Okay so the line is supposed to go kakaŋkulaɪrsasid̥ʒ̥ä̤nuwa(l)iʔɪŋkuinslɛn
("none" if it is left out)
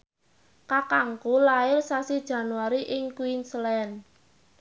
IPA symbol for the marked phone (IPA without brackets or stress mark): ɾ